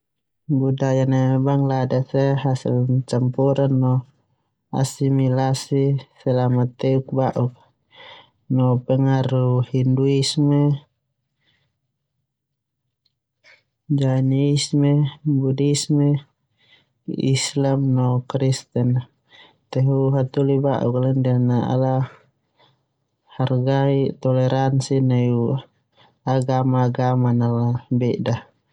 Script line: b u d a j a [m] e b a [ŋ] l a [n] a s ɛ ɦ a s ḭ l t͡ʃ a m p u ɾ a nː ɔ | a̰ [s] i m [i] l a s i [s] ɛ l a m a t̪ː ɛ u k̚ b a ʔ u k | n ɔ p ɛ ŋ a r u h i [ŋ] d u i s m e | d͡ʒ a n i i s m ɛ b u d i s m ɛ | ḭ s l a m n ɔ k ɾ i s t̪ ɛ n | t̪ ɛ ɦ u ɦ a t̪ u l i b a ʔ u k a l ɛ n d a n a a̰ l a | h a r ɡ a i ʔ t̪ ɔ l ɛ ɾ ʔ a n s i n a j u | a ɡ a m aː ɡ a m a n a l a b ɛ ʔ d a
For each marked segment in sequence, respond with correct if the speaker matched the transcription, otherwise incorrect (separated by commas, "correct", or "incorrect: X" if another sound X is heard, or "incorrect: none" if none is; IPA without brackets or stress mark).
incorrect: n, correct, incorrect: d, correct, correct, correct, incorrect: n